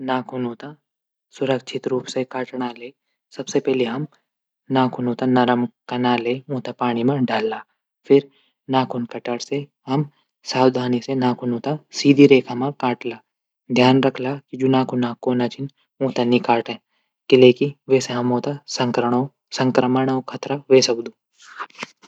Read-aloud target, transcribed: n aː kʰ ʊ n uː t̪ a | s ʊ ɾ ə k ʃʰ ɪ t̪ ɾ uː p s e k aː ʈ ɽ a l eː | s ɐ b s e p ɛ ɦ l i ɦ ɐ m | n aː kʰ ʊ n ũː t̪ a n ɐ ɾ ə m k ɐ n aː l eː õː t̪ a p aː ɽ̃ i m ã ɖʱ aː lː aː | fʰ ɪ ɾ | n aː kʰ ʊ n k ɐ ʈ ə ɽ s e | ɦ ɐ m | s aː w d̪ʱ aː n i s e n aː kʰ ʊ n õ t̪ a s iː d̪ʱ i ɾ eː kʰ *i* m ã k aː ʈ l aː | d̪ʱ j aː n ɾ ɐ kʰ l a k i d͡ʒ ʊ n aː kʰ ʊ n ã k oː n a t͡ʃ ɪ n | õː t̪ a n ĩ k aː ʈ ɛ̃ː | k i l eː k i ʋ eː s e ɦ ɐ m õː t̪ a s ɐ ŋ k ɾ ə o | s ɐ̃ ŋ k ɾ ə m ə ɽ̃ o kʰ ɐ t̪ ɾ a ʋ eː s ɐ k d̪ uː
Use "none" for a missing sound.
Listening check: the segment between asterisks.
a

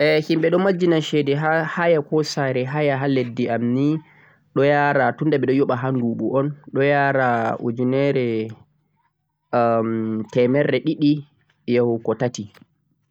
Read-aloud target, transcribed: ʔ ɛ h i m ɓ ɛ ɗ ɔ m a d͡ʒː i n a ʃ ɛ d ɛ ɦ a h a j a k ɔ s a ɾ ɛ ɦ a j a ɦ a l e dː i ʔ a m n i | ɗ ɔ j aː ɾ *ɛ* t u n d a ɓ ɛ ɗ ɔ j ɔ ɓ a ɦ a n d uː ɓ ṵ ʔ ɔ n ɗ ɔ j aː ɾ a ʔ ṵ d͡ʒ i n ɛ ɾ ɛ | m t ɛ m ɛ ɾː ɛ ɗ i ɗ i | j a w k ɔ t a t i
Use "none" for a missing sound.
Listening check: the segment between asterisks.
a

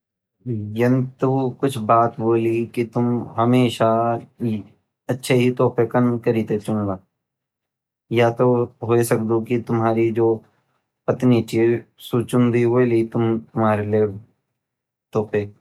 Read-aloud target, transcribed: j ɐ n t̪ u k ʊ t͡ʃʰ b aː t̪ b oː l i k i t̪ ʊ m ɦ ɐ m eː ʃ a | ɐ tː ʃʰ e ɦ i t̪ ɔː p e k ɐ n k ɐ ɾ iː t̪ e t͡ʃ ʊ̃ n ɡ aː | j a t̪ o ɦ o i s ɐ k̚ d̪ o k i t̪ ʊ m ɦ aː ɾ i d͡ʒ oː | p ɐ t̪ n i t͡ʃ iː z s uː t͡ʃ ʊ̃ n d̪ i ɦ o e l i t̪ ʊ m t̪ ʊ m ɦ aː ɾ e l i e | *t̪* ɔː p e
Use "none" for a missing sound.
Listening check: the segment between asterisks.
t̪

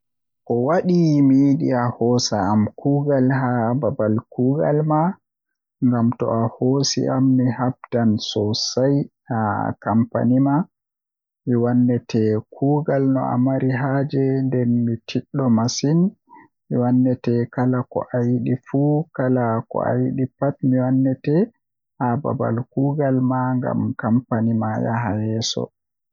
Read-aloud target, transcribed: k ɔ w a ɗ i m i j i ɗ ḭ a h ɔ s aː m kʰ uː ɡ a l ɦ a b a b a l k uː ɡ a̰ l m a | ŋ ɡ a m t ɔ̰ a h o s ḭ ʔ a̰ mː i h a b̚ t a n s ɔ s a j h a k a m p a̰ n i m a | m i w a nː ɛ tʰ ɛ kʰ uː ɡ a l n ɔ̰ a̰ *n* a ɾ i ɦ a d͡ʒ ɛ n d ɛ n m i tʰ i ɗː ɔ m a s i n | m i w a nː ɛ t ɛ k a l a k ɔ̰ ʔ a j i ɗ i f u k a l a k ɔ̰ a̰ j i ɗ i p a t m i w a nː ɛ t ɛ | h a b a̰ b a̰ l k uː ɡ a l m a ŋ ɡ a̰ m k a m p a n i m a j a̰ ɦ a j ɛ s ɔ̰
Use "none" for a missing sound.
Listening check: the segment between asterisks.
m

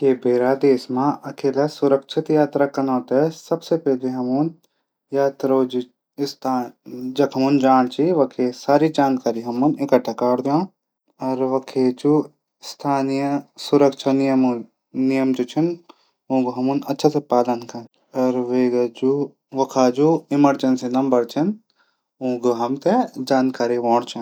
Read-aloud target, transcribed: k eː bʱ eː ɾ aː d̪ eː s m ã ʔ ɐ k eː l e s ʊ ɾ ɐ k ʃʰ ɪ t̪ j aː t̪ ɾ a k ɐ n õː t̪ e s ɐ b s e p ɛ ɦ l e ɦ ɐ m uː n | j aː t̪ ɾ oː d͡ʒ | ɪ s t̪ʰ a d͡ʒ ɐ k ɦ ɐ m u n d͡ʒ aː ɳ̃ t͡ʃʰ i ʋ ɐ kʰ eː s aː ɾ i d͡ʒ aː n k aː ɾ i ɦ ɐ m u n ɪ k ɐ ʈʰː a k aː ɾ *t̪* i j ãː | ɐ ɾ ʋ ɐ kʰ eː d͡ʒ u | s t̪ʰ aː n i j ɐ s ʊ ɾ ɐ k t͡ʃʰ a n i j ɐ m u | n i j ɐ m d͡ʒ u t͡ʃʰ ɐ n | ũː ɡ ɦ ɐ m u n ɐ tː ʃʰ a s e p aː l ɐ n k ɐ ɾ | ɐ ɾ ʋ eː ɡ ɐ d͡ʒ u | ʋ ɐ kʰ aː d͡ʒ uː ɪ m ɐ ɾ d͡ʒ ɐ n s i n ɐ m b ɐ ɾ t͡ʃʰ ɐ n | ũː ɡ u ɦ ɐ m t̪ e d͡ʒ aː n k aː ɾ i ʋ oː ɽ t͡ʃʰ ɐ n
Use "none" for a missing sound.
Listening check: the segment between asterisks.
d̪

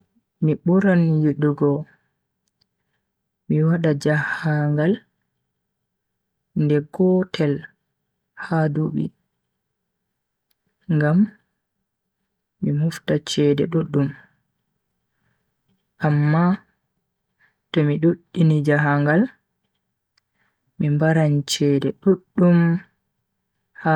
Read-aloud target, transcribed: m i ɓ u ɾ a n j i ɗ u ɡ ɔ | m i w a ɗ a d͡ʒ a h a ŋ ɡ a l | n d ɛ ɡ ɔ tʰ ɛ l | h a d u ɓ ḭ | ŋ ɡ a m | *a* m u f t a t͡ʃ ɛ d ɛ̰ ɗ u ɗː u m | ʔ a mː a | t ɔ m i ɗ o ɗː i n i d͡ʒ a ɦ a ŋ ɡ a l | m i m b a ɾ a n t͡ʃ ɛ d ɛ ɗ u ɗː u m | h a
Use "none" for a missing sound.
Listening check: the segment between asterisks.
i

